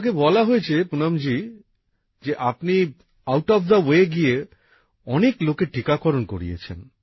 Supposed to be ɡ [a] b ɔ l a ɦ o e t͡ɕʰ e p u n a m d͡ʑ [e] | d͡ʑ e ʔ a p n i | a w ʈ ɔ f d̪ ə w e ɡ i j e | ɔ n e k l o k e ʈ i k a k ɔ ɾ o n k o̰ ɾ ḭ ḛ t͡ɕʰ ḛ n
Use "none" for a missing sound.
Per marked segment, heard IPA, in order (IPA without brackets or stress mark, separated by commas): e, i